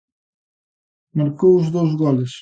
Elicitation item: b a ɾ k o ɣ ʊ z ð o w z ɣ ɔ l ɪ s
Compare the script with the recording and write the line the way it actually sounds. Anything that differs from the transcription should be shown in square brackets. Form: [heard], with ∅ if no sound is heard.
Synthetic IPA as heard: [m] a ɾ k o [w] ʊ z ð o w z ɣ ɔ l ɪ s